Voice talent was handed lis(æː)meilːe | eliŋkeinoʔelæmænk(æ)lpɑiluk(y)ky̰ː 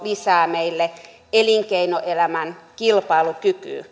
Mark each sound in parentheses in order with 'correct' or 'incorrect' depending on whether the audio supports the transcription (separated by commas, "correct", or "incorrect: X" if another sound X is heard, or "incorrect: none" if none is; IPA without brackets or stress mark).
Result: correct, incorrect: i, correct